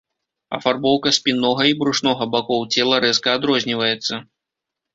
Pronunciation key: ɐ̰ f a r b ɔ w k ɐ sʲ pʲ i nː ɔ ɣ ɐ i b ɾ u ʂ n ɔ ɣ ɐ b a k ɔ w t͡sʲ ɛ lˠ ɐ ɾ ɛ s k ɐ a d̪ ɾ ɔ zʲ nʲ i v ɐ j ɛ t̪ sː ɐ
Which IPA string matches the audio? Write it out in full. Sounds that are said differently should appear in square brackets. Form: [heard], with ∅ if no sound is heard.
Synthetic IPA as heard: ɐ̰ f a r b ɔ w k ɐ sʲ pʲ i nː ɔ ɣ ɐ i b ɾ u ʂ n ɔ ɣ ɐ b a k ɔ w t͡sʲ ɛ lˠ ɐ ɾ ɛ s k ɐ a d̪ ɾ ɔ zʲ nʲ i v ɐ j ɛ t̪ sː ɐ